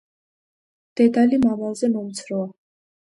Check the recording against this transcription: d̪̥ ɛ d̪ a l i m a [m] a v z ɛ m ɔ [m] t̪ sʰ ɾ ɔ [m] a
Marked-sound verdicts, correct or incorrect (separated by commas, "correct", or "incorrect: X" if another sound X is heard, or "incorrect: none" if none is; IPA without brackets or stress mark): correct, correct, incorrect: none